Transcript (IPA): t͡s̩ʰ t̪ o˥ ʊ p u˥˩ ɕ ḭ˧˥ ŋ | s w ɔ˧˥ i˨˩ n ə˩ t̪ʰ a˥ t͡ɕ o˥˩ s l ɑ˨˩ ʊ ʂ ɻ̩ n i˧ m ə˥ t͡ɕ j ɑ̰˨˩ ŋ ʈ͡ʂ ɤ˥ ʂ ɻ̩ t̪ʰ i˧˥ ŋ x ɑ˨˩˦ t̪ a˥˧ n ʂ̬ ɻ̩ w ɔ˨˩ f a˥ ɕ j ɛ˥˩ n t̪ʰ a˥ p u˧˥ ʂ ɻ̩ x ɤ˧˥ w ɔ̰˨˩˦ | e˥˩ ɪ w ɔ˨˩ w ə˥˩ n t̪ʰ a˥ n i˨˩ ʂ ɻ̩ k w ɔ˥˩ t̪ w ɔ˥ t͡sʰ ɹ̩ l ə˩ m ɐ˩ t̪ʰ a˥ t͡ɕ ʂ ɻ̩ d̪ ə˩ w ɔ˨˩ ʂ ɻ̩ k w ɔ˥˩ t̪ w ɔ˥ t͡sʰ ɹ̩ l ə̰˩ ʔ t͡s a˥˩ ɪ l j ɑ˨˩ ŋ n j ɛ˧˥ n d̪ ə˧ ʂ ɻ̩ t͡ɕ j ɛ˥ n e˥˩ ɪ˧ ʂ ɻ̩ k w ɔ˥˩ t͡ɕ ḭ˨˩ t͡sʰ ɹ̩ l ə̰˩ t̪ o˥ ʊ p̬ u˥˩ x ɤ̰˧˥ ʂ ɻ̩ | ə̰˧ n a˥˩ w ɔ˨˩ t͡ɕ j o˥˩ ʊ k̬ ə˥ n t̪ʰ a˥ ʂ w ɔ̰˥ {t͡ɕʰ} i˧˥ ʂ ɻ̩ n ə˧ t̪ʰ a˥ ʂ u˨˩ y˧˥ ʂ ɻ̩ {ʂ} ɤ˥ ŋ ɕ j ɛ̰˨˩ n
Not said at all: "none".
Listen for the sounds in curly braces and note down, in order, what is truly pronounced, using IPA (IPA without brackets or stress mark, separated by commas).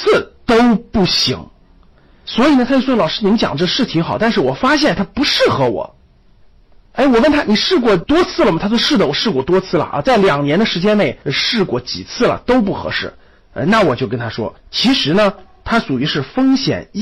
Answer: t͡ɕʰ, f